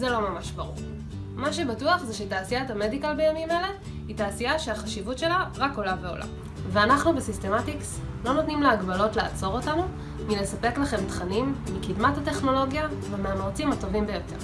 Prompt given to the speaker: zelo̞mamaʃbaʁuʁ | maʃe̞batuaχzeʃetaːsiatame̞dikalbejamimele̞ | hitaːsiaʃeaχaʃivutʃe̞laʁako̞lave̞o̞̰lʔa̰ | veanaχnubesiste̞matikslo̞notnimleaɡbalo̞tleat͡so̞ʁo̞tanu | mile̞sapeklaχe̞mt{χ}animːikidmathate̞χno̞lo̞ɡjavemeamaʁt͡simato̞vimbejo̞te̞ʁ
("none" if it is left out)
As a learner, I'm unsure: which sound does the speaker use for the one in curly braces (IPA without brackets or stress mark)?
χ